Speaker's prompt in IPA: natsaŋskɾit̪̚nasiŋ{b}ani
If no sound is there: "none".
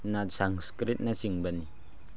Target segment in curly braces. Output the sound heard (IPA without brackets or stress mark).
b